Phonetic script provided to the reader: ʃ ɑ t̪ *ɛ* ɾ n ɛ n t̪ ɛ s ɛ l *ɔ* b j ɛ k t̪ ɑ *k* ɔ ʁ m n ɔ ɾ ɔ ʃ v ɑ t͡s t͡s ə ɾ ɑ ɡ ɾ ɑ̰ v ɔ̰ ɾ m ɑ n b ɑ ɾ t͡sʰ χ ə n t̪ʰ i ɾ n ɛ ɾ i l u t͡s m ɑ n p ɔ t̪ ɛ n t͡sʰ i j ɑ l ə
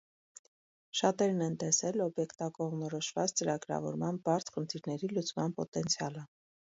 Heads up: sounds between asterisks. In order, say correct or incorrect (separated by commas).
correct, correct, correct